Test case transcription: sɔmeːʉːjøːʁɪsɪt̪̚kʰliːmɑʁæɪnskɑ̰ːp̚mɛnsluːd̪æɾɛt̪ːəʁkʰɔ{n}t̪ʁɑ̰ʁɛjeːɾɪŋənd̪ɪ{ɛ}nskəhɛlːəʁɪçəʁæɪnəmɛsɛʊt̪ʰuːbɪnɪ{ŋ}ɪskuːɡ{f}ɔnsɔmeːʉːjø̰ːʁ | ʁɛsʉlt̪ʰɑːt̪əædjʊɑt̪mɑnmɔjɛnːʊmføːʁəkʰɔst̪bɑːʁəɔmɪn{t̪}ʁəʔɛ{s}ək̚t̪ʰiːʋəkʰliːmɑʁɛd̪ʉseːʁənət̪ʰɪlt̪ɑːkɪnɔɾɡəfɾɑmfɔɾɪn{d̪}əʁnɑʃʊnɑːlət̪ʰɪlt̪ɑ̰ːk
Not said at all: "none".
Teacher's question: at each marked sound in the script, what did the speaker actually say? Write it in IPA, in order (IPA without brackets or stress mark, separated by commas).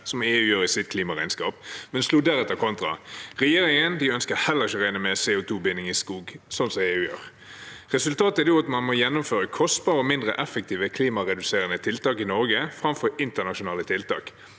n, œ, ŋ, s, d̪, f, t̪